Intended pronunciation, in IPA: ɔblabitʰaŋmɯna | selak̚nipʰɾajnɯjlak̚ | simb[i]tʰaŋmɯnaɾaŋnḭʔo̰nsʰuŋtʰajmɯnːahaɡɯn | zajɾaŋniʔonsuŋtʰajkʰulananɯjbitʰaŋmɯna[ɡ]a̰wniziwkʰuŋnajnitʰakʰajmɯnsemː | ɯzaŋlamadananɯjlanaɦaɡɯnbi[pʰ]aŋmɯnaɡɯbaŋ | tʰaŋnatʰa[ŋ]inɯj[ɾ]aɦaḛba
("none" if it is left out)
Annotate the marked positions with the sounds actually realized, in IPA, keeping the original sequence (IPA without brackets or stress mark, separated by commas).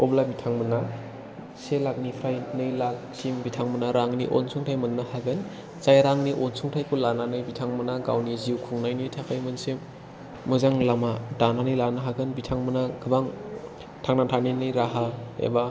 i, ɡ, tʰ, n, ɾ